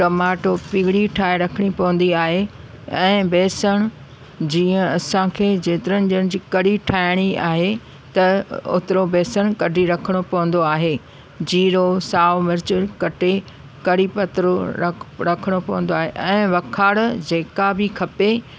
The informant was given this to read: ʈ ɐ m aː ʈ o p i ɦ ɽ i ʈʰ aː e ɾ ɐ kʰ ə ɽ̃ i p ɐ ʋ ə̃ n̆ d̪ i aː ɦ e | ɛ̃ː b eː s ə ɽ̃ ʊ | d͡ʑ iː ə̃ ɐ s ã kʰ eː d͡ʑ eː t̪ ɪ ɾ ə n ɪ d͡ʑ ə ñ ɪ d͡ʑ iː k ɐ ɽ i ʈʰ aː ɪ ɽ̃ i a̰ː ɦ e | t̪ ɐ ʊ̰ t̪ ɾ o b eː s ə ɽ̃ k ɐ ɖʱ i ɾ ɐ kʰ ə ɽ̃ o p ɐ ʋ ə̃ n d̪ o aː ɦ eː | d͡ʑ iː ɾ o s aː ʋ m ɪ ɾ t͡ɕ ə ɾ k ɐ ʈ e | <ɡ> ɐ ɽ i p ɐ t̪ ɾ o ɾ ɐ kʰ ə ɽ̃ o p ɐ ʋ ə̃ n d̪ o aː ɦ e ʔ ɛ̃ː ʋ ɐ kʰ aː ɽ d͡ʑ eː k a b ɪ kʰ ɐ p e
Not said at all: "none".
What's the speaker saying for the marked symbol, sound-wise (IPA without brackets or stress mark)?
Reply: k